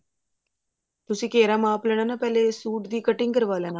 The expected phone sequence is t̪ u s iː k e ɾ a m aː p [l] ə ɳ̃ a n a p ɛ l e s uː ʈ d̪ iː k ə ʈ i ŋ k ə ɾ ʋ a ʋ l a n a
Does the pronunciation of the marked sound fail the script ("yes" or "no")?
no